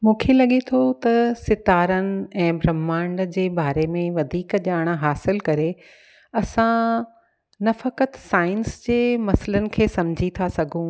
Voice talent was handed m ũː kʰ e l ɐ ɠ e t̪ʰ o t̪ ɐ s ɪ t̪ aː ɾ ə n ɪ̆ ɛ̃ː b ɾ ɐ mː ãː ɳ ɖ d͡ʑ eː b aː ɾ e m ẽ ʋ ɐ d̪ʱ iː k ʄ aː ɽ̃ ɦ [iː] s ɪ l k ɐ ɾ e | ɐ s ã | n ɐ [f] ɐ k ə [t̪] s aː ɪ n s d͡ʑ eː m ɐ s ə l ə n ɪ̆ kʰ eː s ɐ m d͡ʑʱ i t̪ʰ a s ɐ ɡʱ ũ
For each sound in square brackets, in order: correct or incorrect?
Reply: incorrect, correct, correct

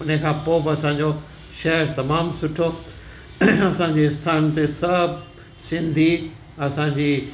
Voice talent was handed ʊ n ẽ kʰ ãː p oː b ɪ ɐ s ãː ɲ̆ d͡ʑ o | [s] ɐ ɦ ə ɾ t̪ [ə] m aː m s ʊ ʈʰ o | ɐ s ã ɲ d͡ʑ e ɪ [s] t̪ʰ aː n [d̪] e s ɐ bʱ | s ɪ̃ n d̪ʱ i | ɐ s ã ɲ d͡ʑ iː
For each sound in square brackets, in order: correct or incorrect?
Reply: incorrect, incorrect, correct, incorrect

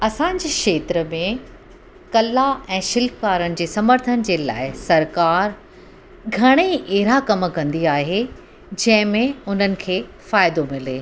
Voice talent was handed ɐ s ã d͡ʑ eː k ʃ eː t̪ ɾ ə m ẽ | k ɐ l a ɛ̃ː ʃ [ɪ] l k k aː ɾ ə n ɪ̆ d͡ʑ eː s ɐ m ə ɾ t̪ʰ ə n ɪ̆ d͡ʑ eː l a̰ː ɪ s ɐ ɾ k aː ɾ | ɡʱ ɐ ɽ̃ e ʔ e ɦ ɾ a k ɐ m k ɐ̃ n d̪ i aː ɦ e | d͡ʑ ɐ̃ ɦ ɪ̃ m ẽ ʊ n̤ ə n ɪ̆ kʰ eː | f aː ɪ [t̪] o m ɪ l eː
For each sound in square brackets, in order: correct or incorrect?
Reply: correct, incorrect

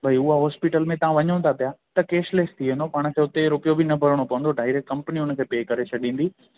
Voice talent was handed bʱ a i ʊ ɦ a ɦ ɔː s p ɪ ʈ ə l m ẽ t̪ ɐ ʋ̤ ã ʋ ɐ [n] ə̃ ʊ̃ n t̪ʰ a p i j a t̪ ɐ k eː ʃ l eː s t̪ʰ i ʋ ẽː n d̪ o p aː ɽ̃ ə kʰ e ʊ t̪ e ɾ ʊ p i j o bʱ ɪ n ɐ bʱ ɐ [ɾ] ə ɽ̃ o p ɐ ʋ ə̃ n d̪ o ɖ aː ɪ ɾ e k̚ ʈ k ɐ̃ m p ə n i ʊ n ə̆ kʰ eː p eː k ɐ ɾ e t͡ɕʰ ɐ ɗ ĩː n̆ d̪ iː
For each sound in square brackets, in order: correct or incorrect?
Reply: incorrect, correct

